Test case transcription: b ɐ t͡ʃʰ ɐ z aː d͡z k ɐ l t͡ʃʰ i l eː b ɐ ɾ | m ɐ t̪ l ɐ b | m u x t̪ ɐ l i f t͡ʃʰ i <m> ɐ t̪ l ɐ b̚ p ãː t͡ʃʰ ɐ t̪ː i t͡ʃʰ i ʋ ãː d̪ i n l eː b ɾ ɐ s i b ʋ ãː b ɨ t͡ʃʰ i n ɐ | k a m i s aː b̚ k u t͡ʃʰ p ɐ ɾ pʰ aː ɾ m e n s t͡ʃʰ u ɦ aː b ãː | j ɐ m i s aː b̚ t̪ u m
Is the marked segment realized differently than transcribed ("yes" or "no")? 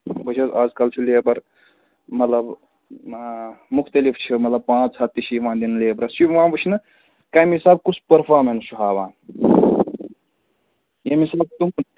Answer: no